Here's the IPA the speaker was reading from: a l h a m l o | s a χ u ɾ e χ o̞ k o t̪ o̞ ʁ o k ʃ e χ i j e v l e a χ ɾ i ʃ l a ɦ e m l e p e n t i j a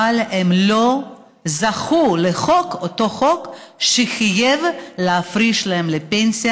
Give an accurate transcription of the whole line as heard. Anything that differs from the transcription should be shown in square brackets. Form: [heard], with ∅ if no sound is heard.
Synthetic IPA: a l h [e] m l o | [z] a χ u [l] e χ o̞ k o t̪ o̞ [χ] o k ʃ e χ i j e v l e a [f] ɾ i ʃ l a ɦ e m l e p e n [s] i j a